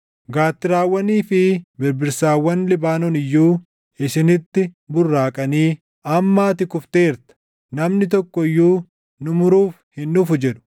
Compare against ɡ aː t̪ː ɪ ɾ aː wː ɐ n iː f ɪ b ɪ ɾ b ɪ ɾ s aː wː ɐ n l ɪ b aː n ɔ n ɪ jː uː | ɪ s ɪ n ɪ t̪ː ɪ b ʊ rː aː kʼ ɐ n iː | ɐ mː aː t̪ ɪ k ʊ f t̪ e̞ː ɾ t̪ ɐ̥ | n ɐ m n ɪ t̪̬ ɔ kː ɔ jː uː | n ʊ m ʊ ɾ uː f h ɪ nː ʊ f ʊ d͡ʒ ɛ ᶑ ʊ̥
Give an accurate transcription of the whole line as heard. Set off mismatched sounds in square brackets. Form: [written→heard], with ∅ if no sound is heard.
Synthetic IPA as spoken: ɡ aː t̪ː ɪ ɾ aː wː ɐ n iː f ɪ b ɪ ɾ b ɪ ɾ s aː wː ɐ n l ɪ b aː n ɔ n ɪ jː uː | ɪ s ɪ n ɪ t̪ː ɪ b ʊ rː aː kʼ ɐ n iː | ɐ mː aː t̪ ɪ k ʊ f t̪ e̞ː ɾ t̪ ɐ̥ | n ɐ m n ɪ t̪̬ ɔ kː ɔ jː uː | n ʊ m ʊ ɾ uː f h ɪ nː ʊ f ʊ d͡ʒ ɛ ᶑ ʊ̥

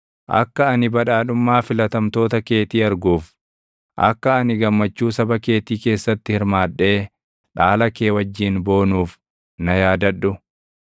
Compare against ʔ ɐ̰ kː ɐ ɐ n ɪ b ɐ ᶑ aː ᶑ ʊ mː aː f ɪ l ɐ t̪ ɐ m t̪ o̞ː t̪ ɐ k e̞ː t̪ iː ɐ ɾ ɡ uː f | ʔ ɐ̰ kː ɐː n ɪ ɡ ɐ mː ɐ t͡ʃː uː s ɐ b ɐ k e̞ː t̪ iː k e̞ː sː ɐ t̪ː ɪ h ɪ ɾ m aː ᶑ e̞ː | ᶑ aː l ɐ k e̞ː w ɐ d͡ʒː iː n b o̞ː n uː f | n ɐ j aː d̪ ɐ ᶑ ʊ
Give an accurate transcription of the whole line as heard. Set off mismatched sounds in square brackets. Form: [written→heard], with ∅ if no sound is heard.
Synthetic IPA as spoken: ʔ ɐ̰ kː ɐ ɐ n ɪ b ɐ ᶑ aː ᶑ ʊ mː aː f ɪ l ɐ t̪ ɐ m t̪ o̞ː t̪ ɐ k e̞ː t̪ iː ɐ ɾ ɡ uː f | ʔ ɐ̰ kː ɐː n ɪ ɡ ɐ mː ɐ t͡ʃː uː s ɐ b ɐ k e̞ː t̪ iː k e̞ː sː ɐ t̪ː ɪ h ɪ ɾ m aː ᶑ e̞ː | ᶑ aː l ɐ k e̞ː w ɐ d͡ʒː iː n b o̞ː n uː f | n ɐ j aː d̪ ɐ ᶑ ʊ

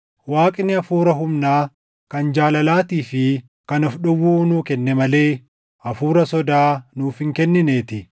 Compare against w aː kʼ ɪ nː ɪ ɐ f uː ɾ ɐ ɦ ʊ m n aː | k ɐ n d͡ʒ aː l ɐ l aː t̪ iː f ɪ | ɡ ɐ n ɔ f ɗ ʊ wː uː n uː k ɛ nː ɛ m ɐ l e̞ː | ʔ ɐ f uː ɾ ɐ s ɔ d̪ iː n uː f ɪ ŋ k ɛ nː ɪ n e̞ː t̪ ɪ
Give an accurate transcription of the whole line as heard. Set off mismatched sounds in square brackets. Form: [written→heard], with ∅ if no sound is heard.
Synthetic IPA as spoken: w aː kʼ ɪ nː ɪ ɐ f uː ɾ ɐ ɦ ʊ m n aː | k ɐ n d͡ʒ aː l ɐ l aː t̪ iː f ɪ | [ɡ→k] ɐ n ɔ f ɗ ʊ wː uː n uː k ɛ nː ɛ m ɐ l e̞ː | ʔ ɐ f uː ɾ ɐ s ɔ d̪ [iː→aː] n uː f ɪ ŋ k ɛ nː ɪ n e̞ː t̪ ɪ

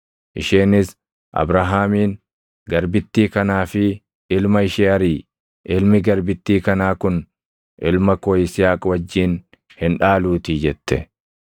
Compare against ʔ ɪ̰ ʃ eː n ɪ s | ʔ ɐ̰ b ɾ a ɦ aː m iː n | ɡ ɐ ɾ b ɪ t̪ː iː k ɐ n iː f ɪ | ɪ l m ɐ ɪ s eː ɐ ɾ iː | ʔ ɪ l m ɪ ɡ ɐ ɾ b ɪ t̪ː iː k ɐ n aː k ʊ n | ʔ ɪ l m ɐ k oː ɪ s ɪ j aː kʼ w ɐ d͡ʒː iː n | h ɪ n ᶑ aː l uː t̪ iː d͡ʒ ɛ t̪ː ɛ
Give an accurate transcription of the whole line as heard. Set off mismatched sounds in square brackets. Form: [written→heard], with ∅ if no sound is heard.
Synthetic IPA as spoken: ʔ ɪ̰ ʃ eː n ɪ s | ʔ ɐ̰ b ɾ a ɦ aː m iː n | ɡ ɐ ɾ b ɪ t̪ː iː k ɐ n [iː→aː] f ɪ | ɪ l m ɐ ɪ [s→ʃ] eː ɐ ɾ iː | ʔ ɪ l m ɪ ɡ ɐ ɾ b ɪ t̪ː iː k ɐ n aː k ʊ n | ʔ ɪ l m ɐ k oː ɪ s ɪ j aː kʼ w ɐ d͡ʒː iː n | h ɪ n ᶑ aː l uː t̪ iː d͡ʒ ɛ t̪ː ɛ

